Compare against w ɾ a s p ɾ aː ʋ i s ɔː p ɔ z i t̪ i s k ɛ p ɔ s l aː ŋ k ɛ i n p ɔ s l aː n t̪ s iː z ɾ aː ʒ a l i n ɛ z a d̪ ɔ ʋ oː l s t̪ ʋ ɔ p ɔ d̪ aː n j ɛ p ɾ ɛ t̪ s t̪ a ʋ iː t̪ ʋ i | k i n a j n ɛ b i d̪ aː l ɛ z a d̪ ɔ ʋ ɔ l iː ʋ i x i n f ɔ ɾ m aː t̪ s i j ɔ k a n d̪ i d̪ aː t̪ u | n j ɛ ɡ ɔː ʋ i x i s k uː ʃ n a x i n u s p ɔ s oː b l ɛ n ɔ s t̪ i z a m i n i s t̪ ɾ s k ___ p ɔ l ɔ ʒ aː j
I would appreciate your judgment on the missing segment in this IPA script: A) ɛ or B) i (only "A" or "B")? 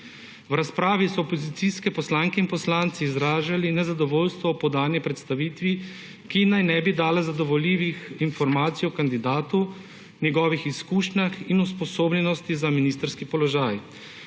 B